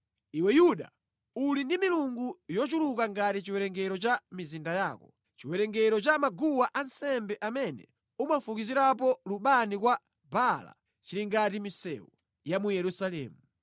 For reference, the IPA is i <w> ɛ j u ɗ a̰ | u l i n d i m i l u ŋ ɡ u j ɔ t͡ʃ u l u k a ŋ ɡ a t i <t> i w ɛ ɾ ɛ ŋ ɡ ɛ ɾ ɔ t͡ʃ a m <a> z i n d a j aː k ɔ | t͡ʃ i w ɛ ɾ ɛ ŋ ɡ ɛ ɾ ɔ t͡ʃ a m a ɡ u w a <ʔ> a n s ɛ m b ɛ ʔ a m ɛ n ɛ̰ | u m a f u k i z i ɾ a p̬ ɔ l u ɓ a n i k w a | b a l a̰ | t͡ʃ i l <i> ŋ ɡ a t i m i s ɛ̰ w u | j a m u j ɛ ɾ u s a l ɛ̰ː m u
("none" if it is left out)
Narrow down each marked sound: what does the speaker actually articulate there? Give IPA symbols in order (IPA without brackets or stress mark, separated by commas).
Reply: w, t͡ʃ, i, ʔ, i